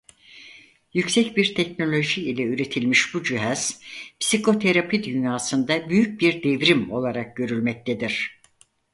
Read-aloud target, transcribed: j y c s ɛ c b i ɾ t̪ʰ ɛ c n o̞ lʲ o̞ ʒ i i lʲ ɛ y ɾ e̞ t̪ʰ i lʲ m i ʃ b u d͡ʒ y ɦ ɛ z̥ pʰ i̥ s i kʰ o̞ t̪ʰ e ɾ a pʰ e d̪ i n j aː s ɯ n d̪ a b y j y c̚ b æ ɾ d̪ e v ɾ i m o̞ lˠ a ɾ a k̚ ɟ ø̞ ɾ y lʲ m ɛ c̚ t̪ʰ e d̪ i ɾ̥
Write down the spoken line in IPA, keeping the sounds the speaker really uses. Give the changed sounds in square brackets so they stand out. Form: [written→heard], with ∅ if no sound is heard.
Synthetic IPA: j y c s ɛ c b i ɾ t̪ʰ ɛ c n o̞ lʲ o̞ ʒ i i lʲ ɛ y ɾ e̞ t̪ʰ i lʲ m i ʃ b u d͡ʒ y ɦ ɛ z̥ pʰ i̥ s i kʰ o̞ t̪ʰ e ɾ a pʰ [e→i] d̪ [i→y] n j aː s ɯ n d̪ a b y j y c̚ b [æ→i] ɾ d̪ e v ɾ i m o̞ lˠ a ɾ a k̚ ɟ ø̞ ɾ y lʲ m ɛ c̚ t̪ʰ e d̪ i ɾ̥